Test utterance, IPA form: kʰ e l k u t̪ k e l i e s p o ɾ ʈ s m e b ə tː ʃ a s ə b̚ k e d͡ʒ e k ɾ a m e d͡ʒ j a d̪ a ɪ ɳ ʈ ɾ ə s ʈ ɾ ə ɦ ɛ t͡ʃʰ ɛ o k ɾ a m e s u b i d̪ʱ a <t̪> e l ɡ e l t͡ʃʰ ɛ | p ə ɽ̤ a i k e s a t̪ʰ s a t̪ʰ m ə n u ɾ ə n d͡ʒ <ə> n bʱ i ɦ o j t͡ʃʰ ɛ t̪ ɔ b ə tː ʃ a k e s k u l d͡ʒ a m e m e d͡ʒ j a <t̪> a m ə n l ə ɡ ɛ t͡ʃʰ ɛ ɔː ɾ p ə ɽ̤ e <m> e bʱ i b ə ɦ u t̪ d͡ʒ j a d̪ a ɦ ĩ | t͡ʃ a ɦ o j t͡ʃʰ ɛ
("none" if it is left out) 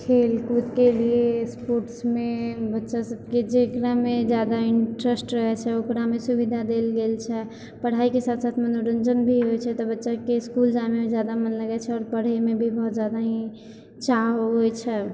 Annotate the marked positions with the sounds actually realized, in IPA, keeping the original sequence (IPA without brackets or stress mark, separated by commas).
d̪, ə, d̪, m